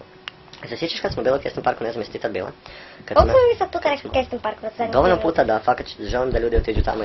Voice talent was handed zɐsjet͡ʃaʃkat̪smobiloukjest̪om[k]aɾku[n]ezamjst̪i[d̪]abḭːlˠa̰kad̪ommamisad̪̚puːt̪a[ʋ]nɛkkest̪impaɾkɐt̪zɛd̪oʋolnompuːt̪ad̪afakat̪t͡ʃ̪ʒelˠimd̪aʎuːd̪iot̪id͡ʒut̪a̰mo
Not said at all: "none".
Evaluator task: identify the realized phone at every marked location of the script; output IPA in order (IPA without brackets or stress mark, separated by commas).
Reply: p, n, t̪, none